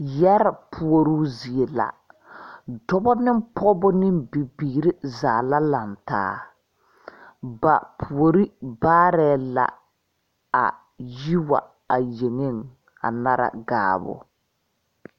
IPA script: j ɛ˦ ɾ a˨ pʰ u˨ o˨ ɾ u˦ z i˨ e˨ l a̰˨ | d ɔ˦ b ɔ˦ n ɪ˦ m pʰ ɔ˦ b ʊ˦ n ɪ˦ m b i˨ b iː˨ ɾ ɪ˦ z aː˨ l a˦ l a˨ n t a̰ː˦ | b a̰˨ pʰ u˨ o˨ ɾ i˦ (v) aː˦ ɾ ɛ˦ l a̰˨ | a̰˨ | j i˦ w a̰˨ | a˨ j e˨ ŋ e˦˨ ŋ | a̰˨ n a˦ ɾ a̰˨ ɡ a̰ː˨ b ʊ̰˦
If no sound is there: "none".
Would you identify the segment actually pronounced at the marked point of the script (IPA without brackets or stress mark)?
b